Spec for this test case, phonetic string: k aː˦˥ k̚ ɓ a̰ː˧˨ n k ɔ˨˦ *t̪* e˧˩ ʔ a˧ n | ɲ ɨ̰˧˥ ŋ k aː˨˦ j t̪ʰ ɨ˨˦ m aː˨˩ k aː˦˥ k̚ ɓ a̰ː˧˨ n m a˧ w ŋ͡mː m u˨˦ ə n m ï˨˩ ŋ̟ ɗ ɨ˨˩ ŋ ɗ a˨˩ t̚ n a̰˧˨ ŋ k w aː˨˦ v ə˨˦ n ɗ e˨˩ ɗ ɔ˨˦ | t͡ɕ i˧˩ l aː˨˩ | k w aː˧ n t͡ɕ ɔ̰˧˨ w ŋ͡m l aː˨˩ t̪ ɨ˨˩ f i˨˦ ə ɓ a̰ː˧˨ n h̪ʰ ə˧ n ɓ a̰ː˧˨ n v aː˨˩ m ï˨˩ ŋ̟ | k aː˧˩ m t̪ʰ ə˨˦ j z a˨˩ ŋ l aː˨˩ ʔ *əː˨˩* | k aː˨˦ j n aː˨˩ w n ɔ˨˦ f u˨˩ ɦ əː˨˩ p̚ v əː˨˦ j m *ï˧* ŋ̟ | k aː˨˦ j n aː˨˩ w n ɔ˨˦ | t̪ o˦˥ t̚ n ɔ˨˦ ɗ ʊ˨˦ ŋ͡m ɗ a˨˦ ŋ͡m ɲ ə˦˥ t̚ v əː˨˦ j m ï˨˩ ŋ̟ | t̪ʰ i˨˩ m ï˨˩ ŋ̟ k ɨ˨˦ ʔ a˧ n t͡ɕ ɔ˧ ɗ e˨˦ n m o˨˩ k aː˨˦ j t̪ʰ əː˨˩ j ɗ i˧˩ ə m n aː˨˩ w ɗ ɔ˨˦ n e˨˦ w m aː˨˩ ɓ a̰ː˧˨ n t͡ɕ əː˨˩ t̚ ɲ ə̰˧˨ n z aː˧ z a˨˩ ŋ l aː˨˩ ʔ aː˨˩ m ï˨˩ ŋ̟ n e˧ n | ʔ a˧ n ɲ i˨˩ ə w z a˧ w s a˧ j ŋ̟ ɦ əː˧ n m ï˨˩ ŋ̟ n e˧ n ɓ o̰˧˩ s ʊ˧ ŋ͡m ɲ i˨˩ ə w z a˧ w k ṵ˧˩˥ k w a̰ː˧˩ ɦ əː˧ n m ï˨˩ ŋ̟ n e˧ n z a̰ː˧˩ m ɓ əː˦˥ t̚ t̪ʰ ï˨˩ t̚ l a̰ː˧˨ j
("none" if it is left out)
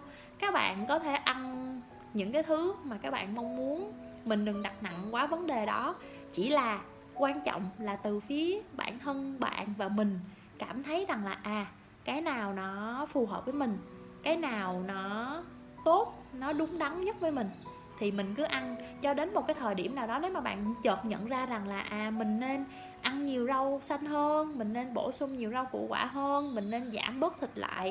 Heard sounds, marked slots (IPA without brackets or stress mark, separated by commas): t̪ʰ, aː˨˩, ï˨˩